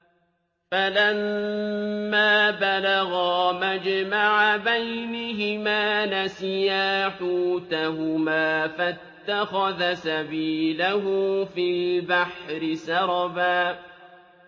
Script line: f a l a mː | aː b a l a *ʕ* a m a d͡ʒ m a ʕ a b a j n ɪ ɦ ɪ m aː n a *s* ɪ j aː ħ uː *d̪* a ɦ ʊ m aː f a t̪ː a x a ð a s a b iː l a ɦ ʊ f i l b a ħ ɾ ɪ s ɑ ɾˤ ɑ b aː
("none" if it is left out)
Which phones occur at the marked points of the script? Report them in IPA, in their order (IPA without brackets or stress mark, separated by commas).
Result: ɣ, s, t̪